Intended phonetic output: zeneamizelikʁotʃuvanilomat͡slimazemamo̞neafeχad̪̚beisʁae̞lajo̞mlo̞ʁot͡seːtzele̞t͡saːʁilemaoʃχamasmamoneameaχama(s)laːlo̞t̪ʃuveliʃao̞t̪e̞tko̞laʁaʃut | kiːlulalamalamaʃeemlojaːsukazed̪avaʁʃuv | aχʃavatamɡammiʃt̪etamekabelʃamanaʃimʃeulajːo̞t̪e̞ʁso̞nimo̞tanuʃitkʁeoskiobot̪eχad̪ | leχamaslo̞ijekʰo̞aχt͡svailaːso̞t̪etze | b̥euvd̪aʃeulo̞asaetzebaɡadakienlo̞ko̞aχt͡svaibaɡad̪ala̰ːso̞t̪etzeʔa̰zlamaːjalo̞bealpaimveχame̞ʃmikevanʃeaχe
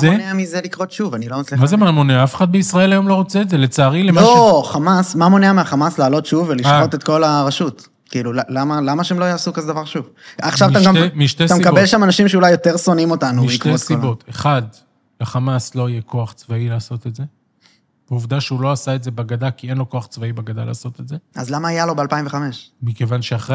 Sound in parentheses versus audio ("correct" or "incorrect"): correct